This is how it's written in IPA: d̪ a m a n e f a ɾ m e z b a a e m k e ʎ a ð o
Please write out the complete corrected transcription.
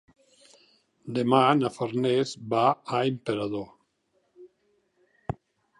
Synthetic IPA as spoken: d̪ e m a n a f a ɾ n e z b a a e m p e ɾ a ð o

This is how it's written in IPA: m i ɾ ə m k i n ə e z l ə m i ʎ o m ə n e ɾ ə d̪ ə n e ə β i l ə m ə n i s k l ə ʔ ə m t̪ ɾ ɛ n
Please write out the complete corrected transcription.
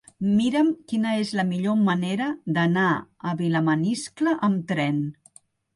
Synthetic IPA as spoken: m i ɾ ə m k i n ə e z l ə m i ʎ o m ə n e ɾ ə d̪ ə n a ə β i l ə m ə n i s k l ə ʔ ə m t̪ ɾ ɛ n

